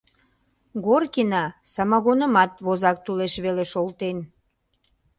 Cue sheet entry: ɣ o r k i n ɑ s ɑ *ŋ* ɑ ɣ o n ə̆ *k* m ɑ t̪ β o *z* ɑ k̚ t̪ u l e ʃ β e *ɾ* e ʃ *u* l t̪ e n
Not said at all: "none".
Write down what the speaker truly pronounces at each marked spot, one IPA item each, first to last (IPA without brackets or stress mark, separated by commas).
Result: m, none, z, l, o